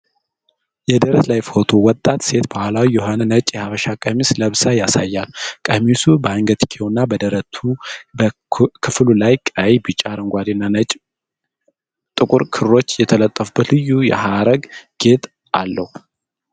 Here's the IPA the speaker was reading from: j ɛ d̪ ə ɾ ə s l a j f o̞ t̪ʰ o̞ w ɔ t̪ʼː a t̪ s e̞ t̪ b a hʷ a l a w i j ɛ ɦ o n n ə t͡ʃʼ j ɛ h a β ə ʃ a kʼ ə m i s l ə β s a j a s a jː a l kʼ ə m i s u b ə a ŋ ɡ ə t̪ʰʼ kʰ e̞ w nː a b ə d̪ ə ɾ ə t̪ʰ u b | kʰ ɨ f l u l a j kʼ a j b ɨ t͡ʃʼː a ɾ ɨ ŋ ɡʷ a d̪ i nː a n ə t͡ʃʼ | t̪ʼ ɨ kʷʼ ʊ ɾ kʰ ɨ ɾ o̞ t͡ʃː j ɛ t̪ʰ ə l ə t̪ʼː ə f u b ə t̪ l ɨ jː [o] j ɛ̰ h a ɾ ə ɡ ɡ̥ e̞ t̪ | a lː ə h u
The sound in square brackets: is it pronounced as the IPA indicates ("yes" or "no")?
no